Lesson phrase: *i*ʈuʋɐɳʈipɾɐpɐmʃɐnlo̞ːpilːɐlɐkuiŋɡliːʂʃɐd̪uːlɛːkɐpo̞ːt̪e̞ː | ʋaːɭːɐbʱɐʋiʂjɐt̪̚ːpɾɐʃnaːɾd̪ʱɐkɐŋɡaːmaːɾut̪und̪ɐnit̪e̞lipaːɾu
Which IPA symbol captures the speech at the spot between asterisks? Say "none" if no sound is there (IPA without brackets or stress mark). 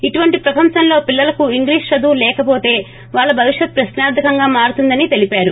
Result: i